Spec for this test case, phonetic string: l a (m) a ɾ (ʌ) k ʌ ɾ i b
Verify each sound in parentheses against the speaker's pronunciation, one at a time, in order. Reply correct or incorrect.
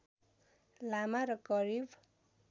correct, correct

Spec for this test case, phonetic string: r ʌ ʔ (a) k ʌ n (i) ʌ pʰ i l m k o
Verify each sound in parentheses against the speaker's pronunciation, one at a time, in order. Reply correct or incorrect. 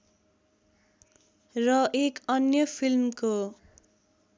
incorrect: e, incorrect: j

